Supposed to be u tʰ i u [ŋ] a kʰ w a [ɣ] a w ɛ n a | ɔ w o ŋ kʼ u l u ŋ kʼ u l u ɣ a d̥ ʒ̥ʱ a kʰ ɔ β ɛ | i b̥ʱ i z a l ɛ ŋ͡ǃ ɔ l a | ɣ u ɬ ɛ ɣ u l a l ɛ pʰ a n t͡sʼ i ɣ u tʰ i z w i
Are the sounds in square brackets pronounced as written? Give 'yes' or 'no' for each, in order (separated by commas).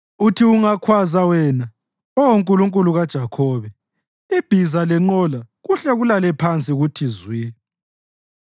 yes, no